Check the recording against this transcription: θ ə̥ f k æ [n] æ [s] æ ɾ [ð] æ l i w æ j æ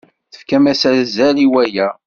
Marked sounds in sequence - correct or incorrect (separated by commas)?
incorrect, correct, incorrect